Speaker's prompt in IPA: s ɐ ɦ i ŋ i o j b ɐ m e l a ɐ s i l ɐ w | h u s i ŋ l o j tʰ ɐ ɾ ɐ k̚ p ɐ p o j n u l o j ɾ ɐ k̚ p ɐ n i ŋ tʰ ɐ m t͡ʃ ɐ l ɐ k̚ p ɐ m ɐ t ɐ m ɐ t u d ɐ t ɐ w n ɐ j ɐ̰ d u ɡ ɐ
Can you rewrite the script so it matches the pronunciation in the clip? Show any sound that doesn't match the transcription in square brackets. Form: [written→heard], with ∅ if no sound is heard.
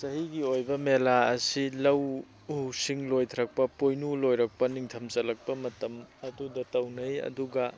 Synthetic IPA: s ɐ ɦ i [ŋ→ɡ] i o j b ɐ m e l a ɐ s i l ɐ w | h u s i ŋ l o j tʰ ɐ ɾ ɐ k̚ p ɐ p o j n u l o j ɾ ɐ k̚ p ɐ n i ŋ tʰ ɐ m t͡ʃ ɐ l ɐ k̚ p ɐ m ɐ t ɐ m ɐ [t→d] u d ɐ t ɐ w n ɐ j ɐ̰ d u ɡ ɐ